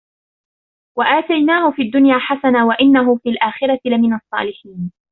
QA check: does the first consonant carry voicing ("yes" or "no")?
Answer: yes